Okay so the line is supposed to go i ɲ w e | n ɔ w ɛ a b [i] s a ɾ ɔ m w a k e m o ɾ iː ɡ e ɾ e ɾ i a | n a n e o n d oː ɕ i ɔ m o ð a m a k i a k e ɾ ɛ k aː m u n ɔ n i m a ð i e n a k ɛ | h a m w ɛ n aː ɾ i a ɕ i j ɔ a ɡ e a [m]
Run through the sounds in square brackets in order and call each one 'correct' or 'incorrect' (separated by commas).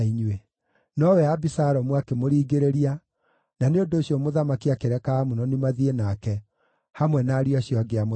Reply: correct, correct